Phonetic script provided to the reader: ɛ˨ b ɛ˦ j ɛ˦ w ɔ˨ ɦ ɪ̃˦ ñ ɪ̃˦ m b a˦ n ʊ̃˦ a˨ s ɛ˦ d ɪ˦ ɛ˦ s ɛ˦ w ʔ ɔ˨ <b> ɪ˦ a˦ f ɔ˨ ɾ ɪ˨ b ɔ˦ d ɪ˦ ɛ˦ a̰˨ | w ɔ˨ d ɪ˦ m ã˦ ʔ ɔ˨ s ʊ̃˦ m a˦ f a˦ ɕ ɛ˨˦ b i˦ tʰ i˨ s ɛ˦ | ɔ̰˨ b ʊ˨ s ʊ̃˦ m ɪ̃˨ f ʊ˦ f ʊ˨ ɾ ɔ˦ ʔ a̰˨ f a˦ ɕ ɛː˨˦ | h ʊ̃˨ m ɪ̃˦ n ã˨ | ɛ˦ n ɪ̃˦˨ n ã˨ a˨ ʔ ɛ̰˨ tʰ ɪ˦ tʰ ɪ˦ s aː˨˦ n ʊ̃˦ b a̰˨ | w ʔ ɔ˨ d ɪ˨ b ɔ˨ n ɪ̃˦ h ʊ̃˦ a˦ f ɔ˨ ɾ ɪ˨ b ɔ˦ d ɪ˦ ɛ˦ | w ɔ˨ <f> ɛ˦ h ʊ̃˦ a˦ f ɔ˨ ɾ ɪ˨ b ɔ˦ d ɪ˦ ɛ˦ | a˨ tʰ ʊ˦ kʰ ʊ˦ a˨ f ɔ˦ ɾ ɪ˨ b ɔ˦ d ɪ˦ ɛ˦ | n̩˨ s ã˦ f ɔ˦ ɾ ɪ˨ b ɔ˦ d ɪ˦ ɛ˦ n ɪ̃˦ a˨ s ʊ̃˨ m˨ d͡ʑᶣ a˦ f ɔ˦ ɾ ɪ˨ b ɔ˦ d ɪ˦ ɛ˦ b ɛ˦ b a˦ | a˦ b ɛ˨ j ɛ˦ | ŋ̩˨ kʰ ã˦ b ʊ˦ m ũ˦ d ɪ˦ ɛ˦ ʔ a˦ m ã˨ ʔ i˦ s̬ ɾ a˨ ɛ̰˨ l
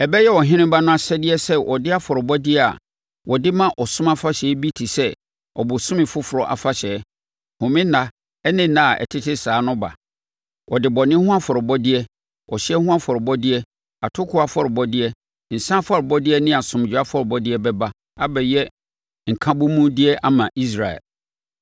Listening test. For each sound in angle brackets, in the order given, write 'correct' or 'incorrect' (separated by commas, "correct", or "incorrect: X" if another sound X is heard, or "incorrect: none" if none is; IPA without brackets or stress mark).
incorrect: d, incorrect: ɕ